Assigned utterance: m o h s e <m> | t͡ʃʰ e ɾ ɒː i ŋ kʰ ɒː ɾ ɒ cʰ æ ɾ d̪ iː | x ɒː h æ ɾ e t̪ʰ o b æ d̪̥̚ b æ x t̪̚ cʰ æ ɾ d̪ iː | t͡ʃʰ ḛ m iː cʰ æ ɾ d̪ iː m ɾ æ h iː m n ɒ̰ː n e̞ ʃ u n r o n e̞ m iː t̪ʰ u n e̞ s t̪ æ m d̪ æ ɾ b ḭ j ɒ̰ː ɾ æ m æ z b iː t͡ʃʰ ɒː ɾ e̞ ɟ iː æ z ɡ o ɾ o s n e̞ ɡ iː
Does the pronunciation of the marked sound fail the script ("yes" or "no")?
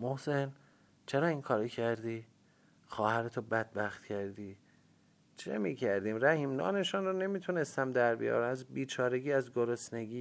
yes